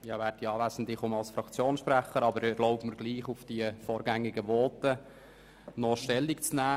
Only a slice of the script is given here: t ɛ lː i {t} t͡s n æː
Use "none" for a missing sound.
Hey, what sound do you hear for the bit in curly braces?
k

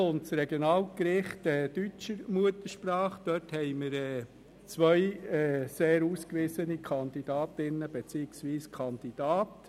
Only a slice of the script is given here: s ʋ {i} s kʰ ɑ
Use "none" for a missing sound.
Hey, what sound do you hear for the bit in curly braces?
iː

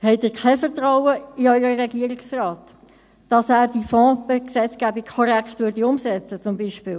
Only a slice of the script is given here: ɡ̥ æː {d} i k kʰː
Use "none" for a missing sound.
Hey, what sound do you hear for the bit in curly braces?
b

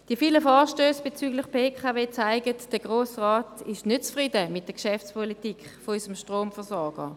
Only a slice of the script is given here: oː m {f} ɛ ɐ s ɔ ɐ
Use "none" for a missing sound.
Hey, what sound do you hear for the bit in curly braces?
f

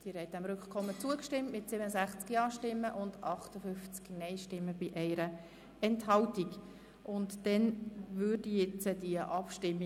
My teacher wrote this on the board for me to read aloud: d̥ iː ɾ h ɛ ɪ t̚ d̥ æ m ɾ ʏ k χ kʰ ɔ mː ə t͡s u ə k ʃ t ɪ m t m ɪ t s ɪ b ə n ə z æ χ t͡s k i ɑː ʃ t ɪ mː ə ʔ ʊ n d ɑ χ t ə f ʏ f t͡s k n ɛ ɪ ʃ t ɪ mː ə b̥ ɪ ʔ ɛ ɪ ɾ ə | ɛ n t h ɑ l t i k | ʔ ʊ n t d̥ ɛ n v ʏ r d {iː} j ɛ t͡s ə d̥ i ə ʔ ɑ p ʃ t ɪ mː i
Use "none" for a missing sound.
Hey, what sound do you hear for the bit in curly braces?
i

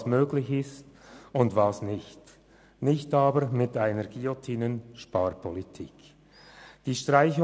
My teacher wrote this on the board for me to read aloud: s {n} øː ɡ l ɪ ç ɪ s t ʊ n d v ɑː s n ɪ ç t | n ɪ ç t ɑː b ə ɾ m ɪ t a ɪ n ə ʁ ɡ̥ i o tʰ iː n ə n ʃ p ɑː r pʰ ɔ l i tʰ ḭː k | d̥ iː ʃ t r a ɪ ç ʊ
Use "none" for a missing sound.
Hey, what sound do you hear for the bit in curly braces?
m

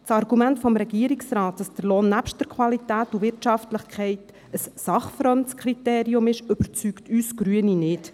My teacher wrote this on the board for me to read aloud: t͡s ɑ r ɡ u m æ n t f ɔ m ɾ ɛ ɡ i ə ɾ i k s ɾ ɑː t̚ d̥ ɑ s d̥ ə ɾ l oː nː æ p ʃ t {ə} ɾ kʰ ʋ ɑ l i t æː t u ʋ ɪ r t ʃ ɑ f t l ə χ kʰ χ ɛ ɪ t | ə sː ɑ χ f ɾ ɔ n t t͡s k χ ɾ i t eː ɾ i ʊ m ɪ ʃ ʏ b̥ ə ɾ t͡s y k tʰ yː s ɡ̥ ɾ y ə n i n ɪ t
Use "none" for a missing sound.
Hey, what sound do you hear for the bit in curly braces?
ə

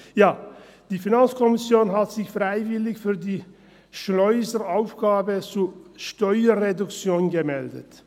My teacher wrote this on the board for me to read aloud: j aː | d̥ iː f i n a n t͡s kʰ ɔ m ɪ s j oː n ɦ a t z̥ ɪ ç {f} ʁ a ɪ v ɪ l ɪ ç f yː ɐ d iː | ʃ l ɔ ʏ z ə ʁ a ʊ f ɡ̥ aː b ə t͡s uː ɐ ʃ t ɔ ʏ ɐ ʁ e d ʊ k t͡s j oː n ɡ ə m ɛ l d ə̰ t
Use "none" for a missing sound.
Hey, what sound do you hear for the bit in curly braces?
f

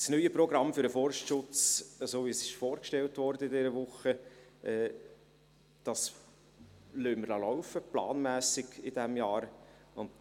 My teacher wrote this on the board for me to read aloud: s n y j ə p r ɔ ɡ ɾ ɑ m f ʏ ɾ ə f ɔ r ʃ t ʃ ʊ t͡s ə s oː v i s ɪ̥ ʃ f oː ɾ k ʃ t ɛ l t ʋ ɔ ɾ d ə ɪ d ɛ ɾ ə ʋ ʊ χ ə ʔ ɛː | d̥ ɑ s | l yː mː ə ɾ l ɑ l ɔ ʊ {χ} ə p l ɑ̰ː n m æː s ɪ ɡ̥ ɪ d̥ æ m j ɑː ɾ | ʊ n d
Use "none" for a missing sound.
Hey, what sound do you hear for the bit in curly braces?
f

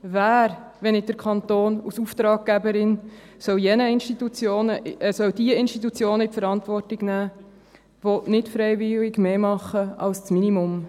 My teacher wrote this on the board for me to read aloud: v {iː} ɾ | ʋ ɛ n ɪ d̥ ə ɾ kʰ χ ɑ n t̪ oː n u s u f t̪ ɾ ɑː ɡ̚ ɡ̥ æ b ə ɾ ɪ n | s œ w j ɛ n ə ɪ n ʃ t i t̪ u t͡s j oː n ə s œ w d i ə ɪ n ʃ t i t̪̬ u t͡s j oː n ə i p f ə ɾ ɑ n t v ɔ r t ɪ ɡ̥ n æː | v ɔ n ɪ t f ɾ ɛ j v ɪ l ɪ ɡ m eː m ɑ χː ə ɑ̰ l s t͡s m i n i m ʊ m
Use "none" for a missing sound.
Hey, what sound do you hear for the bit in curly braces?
æː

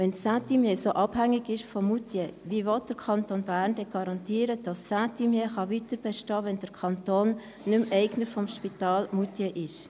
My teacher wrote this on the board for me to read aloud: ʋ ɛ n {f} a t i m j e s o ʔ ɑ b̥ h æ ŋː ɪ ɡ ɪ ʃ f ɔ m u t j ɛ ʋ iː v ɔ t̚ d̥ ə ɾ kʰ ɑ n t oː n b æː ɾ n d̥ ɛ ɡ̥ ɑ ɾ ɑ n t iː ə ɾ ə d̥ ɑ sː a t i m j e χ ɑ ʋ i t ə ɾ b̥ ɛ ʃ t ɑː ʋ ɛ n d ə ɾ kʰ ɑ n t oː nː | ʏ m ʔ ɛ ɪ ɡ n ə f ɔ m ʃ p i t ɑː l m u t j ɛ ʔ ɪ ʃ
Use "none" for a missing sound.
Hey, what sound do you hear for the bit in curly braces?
s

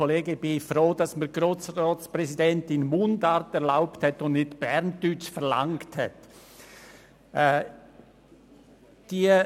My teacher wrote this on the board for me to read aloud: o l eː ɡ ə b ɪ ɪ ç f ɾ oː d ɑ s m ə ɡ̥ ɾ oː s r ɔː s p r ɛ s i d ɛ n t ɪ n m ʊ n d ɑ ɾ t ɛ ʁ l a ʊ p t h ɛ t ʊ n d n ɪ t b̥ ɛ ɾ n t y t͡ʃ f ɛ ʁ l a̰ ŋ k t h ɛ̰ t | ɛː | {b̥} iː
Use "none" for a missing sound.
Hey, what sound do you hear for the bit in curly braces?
d̥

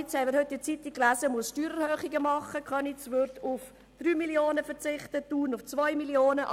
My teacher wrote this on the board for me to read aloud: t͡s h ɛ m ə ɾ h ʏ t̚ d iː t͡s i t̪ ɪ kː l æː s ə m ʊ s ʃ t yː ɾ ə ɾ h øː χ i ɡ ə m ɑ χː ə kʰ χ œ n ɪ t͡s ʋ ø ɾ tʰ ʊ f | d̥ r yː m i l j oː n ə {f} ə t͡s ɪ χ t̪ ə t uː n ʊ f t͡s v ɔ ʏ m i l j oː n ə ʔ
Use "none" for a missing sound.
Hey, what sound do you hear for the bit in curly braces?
f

